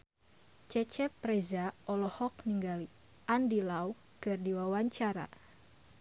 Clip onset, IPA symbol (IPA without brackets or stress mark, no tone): t͡ʃ